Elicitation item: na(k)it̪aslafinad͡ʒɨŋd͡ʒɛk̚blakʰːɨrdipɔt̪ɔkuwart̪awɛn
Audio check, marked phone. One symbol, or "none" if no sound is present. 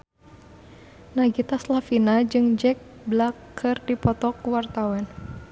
ɡ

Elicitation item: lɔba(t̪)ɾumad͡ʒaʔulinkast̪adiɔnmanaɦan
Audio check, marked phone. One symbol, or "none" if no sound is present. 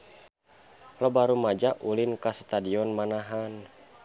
none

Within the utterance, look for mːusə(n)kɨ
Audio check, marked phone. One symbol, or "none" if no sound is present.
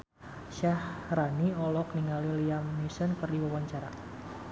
n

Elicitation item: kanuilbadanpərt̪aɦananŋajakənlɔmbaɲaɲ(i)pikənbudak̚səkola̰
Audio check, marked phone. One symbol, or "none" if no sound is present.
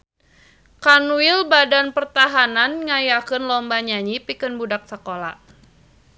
i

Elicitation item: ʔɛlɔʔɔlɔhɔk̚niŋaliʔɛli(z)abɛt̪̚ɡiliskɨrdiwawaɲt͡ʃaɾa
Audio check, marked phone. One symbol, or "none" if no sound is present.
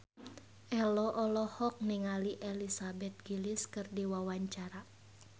s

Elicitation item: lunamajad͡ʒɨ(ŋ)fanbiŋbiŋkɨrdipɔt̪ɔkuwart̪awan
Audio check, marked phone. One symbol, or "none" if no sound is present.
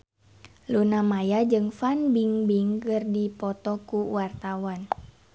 ŋ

